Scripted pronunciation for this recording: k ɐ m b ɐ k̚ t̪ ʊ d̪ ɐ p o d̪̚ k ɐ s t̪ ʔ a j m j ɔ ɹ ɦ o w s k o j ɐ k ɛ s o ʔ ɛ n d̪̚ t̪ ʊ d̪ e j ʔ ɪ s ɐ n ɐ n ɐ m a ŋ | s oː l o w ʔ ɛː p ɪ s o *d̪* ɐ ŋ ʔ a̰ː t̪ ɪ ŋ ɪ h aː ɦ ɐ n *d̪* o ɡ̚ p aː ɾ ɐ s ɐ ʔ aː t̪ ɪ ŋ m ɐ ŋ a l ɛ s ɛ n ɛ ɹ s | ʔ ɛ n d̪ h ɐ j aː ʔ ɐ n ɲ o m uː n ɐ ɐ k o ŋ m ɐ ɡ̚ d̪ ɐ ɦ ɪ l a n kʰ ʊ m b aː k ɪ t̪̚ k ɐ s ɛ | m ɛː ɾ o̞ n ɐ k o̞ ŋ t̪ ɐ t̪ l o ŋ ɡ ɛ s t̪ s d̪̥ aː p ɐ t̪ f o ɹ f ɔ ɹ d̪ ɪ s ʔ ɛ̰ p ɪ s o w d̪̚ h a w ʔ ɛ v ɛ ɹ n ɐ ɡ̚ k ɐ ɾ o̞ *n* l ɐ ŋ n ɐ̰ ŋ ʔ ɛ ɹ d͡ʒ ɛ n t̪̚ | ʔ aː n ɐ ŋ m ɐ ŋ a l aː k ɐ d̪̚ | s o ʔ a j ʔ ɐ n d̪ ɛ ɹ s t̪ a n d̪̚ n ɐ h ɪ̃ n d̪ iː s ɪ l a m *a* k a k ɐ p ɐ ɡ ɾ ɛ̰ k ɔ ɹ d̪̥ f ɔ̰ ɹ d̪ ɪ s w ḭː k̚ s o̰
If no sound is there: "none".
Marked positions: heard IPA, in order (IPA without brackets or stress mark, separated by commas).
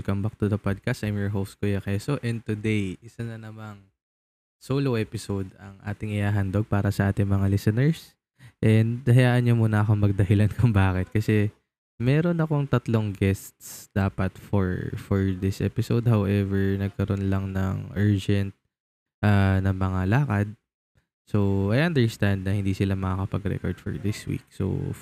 d̪, d̪, n, ɐ